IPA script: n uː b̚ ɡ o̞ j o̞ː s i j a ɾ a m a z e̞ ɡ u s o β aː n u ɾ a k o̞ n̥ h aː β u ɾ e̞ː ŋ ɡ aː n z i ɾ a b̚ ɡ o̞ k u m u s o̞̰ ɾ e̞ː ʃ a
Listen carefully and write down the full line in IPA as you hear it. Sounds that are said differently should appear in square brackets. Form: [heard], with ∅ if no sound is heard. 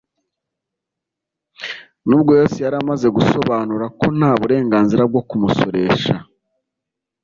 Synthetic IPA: n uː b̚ ɡ o̞ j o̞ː s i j a ɾ a m a z e̞ ɡ u s o β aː n u ɾ a k o̞ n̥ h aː β u ɾ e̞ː ŋ ɡ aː n z i ɾ a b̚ ɡ o̞ k u m u s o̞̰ ɾ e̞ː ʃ a